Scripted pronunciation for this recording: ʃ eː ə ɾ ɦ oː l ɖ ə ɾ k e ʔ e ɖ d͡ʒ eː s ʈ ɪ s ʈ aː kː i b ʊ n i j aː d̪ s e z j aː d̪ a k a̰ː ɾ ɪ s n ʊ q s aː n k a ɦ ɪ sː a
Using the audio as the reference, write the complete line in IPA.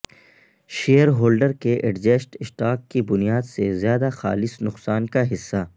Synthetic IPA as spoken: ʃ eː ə ɾ ɦ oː l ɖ ə ɾ k e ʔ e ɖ d͡ʒ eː s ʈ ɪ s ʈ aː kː i b ʊ n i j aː d̪ s e z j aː d̪ a x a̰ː l ɪ s n ʊ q s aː n k a ɦ ɪ sː a